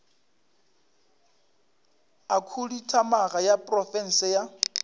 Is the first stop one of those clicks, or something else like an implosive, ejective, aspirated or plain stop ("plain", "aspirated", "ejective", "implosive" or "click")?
aspirated